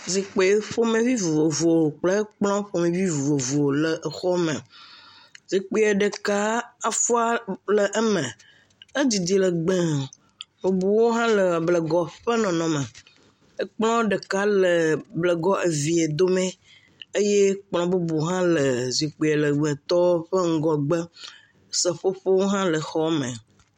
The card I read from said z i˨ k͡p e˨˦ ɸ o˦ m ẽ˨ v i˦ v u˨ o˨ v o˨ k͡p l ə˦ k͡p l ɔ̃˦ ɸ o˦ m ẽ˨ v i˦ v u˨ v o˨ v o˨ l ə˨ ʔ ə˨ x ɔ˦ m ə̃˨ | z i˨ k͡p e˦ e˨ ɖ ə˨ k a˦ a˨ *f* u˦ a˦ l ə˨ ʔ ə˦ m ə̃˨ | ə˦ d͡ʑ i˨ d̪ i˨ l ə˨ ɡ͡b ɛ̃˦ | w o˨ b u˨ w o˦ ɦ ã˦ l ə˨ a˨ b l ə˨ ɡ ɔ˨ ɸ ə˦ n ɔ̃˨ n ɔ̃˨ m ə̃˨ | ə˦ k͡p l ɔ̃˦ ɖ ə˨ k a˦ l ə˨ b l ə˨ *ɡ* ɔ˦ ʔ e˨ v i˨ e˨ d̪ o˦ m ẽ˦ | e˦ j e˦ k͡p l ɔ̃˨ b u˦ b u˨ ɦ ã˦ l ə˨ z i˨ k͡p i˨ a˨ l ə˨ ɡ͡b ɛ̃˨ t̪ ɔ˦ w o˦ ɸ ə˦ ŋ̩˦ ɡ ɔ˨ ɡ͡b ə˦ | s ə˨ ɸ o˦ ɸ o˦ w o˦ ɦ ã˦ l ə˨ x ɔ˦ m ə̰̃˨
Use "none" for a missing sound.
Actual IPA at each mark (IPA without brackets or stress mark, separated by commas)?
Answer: f, ɡ